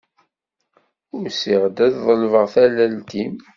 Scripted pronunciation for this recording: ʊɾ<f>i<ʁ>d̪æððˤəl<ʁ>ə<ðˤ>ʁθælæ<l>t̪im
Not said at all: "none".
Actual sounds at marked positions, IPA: s, ʁ, v, none, l

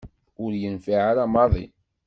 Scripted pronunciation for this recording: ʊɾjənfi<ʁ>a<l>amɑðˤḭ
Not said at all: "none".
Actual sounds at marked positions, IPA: ʕ, ɾ

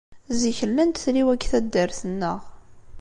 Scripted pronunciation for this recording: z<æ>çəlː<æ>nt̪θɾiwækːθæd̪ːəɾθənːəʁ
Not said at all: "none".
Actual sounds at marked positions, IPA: i, æ

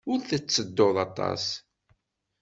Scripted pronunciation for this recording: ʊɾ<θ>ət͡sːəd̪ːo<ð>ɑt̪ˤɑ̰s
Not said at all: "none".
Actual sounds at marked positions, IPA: θ, ð

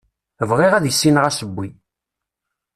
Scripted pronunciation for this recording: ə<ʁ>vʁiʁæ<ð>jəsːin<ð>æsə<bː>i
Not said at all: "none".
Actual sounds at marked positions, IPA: none, ð, ʁ, bː

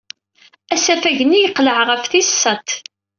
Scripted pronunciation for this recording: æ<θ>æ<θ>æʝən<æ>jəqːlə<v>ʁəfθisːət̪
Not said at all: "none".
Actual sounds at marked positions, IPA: s, f, i, ʕ

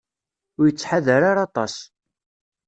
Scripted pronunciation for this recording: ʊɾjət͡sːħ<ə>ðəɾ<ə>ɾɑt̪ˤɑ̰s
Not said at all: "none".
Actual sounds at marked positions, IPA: a, a

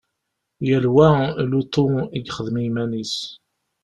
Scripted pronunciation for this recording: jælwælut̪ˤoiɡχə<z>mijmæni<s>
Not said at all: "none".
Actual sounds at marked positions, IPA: ð, s

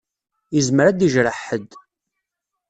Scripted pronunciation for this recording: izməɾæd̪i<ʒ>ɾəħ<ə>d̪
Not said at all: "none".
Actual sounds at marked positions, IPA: ʒ, ə

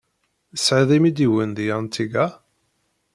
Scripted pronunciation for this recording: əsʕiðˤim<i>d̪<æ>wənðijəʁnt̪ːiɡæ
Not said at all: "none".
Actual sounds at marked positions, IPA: i, i

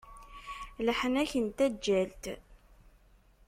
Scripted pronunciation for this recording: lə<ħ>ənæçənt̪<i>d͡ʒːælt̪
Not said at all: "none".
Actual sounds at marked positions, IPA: ħ, æ

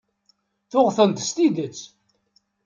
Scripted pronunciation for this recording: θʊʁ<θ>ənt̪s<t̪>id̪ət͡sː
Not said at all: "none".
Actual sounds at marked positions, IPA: θ, t̪

